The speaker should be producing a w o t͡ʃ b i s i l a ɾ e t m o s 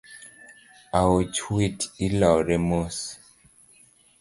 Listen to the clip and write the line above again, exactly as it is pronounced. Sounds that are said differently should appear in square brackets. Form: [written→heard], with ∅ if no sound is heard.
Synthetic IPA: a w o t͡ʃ [b→w] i [s→t] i l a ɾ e [t→∅] m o s